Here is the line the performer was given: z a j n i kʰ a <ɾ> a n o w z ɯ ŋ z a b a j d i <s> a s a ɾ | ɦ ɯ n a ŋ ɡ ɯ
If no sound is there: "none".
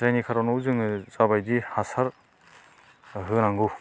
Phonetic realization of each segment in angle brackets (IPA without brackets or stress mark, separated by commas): ɾ, h